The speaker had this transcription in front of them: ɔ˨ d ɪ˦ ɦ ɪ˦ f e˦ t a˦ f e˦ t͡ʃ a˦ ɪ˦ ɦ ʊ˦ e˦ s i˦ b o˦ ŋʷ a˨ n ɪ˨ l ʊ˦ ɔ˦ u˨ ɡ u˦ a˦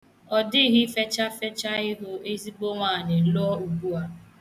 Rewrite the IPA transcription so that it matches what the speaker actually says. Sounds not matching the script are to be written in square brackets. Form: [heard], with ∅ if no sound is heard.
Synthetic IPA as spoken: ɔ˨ d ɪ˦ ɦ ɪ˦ f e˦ [t͡ʃ] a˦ f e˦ t͡ʃ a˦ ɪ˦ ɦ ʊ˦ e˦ [z] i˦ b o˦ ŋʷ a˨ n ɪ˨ l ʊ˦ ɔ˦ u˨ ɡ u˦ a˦

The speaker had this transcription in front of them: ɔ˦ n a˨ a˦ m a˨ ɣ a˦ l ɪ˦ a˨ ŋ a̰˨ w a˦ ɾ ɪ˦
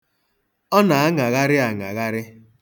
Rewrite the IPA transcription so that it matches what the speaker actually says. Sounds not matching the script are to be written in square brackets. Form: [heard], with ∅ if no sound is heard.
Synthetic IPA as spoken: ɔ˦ n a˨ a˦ [ŋ] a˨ ɣ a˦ [ɾ] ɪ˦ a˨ ŋ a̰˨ [ɣ] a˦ ɾ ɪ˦

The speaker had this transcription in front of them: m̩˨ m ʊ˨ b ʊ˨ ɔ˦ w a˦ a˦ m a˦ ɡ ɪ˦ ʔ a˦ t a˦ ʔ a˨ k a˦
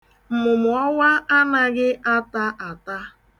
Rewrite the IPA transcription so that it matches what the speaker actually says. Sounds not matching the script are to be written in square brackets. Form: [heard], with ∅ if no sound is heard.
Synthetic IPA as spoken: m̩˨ m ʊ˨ [m] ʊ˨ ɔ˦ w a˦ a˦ [n] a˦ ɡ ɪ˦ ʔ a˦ t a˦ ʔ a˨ [t] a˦

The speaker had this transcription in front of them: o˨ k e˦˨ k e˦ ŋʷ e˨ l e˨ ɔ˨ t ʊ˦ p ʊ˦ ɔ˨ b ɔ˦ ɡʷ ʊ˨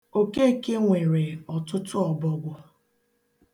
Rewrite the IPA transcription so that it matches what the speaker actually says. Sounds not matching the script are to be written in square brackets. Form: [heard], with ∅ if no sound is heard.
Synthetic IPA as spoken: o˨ k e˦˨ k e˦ ŋʷ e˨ [ɾ] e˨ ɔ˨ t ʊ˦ [t] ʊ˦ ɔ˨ b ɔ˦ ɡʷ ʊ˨

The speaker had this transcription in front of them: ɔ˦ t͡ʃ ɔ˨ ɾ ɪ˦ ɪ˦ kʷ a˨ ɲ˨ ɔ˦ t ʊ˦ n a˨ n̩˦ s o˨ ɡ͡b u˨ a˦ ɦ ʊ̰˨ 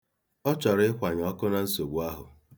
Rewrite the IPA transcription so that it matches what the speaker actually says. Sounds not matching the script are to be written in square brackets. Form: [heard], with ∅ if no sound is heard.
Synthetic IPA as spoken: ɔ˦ t͡ʃ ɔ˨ ɾ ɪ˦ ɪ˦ kʷ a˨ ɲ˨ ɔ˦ [k] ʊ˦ n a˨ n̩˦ s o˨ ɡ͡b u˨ a˦ ɦ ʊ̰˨

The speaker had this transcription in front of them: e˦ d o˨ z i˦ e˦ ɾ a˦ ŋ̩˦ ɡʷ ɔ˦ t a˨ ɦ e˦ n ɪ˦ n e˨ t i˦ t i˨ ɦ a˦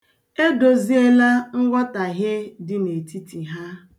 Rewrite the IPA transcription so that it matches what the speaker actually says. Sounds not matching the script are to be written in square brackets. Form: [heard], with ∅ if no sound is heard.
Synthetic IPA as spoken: e˦ d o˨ z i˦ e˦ [l] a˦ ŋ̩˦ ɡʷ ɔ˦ t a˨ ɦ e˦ [d] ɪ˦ n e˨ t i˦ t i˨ ɦ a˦

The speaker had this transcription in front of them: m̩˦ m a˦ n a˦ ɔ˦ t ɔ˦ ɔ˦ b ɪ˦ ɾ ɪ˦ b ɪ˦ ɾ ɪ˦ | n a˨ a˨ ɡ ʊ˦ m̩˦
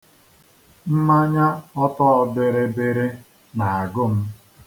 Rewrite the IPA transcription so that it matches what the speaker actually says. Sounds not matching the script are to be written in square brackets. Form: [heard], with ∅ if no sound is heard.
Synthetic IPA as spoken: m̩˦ m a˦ [ɲ] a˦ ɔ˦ t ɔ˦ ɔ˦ b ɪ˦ ɾ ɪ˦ b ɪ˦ ɾ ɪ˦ | n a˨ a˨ ɡ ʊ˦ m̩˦

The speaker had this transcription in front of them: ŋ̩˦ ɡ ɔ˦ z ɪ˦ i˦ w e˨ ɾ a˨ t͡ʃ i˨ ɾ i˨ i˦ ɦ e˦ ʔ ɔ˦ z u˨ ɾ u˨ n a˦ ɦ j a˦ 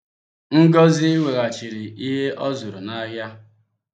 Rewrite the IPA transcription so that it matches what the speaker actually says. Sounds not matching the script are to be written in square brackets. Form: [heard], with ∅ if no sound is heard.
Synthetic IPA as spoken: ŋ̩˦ ɡ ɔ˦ z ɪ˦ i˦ w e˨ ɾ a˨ t͡ʃ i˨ ɾ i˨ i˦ ɦ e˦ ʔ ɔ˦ z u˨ ɾ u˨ n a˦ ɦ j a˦

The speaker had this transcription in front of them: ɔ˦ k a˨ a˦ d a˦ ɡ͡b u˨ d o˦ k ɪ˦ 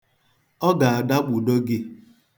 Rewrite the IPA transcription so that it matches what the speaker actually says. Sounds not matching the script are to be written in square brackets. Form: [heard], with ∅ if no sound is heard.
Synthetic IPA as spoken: ɔ˦ [ɡ] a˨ [a˨] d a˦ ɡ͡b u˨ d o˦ [ɡ] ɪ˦

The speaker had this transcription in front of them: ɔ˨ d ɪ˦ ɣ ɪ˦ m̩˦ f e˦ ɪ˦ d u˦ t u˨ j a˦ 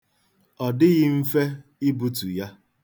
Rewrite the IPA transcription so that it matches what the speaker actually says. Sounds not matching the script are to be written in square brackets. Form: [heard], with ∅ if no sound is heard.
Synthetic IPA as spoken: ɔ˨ d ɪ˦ ɣ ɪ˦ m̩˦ f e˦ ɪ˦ [b] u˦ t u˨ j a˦

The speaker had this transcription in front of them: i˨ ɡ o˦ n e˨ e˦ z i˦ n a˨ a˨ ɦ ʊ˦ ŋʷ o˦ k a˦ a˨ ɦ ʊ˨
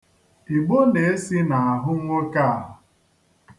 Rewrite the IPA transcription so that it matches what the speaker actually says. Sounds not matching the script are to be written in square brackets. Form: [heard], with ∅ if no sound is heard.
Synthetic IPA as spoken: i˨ [ɡ͡b] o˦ n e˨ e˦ [s] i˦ n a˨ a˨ ɦ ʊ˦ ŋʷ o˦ k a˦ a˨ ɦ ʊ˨

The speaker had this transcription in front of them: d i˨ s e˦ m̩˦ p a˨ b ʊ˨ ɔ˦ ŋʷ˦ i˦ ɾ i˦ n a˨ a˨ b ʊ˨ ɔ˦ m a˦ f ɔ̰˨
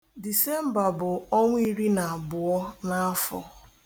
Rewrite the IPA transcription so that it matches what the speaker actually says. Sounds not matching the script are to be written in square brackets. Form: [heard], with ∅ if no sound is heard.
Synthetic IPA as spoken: d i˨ s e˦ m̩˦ [b] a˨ b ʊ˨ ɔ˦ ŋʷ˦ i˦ ɾ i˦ n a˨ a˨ b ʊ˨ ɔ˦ [n] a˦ f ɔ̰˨

